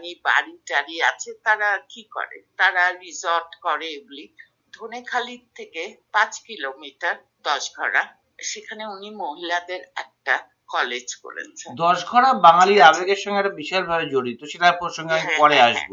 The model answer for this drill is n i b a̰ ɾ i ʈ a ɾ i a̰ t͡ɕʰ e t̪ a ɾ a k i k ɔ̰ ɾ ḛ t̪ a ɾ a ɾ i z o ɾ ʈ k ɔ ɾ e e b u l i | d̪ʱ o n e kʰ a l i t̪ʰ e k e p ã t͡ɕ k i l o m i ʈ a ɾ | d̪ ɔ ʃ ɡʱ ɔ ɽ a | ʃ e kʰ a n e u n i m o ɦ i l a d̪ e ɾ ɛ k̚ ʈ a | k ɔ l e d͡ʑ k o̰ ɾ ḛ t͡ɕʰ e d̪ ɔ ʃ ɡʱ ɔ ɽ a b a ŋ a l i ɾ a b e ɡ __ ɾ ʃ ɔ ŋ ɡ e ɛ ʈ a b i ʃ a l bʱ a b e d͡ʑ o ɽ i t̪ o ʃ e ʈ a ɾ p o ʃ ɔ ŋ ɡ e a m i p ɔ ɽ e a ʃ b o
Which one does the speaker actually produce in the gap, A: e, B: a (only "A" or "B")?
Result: A